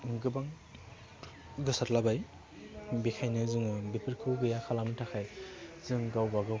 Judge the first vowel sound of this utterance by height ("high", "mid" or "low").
high